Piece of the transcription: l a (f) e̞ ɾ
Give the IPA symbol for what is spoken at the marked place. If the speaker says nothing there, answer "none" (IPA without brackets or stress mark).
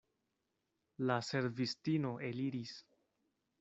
s